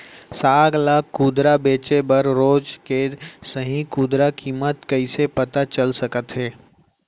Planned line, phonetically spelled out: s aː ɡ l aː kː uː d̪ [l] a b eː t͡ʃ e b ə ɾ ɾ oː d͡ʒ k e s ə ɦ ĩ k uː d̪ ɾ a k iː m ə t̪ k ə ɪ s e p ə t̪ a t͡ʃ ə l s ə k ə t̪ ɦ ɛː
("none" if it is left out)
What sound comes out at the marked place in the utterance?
ɾ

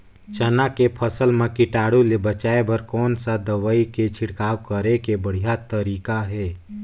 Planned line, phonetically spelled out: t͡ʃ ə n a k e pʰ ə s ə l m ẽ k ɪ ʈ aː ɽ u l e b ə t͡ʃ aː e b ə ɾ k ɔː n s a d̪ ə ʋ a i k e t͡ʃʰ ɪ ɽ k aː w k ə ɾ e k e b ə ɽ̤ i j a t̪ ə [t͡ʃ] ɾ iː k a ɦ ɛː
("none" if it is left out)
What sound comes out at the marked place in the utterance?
none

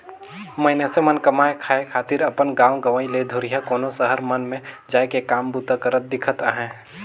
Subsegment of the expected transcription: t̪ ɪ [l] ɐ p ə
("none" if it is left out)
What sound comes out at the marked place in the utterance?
ɾ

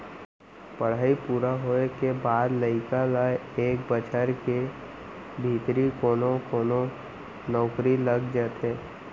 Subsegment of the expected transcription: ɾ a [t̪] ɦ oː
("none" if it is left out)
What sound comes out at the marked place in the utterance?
none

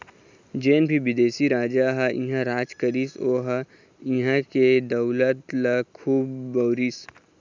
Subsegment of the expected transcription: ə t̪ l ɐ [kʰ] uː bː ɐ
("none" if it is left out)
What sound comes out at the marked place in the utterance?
kʰ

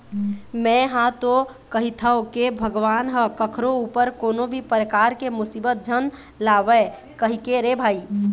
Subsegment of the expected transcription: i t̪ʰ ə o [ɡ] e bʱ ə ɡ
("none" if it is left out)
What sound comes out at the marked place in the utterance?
k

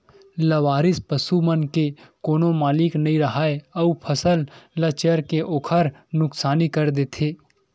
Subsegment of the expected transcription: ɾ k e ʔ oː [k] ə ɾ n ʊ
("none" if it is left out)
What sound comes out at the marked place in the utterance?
kʰ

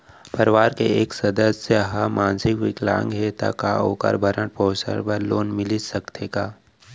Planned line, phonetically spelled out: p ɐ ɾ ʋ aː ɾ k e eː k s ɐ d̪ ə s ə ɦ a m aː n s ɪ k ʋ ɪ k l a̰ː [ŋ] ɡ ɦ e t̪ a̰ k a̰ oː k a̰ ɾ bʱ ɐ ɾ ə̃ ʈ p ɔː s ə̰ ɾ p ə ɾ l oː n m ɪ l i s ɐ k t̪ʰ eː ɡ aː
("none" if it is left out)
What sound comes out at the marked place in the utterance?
ŋ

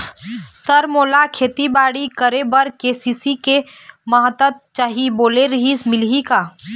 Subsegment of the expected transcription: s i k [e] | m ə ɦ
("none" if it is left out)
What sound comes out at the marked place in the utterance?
e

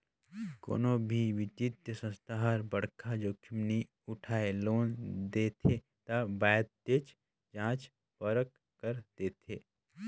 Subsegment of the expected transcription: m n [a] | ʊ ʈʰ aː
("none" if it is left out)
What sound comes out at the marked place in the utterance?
i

